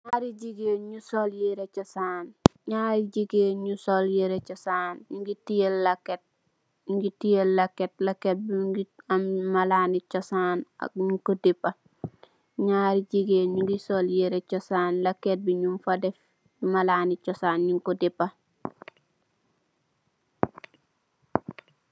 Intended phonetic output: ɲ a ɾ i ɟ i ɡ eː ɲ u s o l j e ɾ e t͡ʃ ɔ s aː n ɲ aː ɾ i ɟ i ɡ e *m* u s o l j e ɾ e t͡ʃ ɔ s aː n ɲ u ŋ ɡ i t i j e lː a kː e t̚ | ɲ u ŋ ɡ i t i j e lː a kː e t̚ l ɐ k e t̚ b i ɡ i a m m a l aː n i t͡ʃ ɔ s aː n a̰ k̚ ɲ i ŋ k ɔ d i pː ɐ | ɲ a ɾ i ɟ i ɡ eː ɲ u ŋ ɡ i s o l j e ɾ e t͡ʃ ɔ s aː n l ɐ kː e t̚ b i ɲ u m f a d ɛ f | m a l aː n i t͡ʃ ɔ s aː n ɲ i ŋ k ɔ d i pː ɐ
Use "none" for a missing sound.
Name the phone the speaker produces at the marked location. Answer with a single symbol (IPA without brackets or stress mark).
ɲ